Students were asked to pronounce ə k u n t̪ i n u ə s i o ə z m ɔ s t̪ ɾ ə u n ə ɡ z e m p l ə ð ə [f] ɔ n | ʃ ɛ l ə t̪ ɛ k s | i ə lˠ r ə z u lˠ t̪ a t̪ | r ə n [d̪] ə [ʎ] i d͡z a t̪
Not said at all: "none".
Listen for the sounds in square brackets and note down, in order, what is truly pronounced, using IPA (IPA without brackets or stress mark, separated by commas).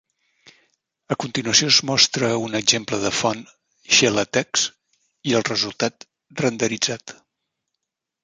f, d̪, ɾ